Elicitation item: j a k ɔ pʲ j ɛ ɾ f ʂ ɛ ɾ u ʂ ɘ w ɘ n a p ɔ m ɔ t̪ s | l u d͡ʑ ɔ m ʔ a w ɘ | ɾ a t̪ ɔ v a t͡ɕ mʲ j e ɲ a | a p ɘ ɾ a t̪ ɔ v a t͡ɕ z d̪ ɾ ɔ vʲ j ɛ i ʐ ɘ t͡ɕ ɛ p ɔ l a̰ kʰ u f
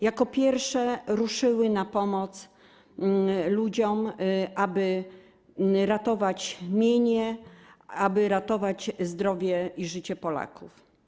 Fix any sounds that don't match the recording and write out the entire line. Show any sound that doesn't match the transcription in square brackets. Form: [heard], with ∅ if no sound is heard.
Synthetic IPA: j a k ɔ pʲ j ɛ ɾ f ʂ ɛ ɾ u ʂ ɘ w ɘ n a p ɔ m ɔ t̪ s | l u d͡ʑ ɔ m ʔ a [b] ɘ | ɾ a t̪ ɔ v a t͡ɕ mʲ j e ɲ [ɛ] | a [b] ɘ ɾ a t̪ ɔ v a t͡ɕ z d̪ ɾ ɔ vʲ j ɛ i ʐ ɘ t͡ɕ ɛ p ɔ l a̰ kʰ u f